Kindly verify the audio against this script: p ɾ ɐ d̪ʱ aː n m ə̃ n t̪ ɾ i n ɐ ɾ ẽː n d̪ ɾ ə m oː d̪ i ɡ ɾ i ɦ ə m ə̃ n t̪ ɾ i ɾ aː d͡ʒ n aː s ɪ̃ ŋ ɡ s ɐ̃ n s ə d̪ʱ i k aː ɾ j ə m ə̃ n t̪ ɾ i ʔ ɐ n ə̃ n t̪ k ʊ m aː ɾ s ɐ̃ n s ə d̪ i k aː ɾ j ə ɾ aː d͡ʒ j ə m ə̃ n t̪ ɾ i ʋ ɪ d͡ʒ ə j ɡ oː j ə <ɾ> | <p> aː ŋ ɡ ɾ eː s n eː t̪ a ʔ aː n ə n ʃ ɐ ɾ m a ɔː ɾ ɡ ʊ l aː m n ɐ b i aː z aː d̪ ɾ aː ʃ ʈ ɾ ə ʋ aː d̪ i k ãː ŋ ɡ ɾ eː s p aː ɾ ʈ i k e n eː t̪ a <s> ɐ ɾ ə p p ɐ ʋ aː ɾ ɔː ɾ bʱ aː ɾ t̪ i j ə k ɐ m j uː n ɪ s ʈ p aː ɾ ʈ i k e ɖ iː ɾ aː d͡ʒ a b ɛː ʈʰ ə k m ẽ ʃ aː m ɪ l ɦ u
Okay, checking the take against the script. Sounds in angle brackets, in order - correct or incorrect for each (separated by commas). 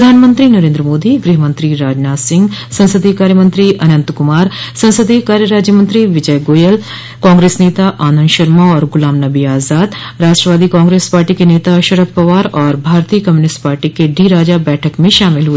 incorrect, incorrect, incorrect